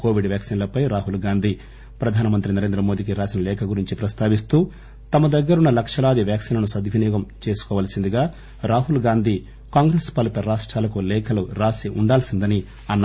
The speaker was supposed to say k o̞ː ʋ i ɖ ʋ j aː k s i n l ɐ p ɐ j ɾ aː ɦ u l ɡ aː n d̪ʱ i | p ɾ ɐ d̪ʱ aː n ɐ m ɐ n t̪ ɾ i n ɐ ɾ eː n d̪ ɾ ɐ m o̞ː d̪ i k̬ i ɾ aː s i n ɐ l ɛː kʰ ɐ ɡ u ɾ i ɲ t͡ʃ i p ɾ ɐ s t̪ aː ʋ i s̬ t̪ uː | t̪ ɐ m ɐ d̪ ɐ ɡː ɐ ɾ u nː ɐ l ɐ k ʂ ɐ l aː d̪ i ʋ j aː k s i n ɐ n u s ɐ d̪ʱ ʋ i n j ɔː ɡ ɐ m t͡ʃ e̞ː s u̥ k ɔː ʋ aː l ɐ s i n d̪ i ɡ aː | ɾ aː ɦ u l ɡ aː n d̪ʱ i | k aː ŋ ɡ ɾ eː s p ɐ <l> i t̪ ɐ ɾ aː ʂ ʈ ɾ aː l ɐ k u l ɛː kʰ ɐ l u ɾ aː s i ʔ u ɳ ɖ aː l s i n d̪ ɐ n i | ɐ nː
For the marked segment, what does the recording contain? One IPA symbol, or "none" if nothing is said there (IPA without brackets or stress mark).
l